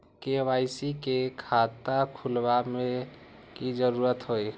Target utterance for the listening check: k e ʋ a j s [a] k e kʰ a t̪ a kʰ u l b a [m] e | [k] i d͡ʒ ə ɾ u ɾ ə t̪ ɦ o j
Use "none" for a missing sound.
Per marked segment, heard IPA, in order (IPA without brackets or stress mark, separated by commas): i, m, k